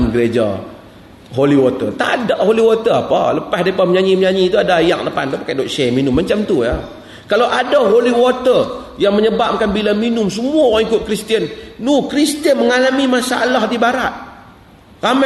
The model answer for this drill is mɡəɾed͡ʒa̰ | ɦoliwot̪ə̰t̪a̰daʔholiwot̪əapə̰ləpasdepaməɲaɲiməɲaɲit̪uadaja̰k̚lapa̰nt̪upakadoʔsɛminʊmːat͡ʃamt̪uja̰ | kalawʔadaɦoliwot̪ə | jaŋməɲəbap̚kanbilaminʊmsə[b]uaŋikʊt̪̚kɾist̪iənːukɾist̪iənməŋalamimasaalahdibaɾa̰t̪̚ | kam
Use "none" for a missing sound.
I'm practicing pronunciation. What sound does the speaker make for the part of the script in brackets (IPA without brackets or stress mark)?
m